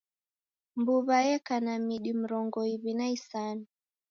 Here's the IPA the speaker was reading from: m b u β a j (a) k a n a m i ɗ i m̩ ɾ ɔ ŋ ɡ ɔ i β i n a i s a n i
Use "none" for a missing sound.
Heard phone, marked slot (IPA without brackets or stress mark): ɛ